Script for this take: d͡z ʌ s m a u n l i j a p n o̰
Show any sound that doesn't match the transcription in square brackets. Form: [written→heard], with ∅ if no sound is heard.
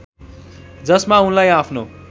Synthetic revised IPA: d͡z ʌ s m a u n l [i→a] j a [p→pʰ] n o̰